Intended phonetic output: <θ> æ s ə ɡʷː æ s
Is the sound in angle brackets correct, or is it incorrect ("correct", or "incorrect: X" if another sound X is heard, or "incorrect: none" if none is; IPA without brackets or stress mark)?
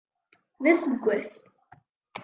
incorrect: ð